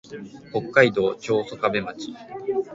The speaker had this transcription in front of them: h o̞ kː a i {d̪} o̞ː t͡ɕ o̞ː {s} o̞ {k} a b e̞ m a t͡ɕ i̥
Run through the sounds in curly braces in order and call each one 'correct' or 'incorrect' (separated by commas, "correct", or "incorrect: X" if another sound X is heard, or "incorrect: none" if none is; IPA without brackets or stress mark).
correct, correct, correct